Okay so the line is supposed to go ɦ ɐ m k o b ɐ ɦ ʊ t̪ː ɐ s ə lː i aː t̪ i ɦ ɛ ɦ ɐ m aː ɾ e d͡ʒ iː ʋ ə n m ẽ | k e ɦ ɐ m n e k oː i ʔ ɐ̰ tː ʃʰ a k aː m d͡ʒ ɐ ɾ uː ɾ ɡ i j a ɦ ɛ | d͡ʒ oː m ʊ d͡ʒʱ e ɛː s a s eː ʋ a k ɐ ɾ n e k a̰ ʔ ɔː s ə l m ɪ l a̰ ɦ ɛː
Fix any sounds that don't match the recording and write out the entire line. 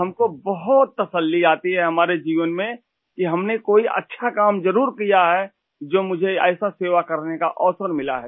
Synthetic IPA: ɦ ɐ m k o b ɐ ɦ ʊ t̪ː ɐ s ə lː i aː t̪ i ɦ ɛ ɦ ɐ m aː ɾ e d͡ʒ iː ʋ ə n m ẽ | k i ɦ ɐ m n e k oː i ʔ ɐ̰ tː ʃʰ a k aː m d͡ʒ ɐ ɾ uː ɾ k i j a ɦ ɛ | d͡ʒ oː m ʊ d͡ʒʱ e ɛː s a s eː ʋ a k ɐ ɾ n e k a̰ ʔ ɔː s ə ɾ m ɪ l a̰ ɦ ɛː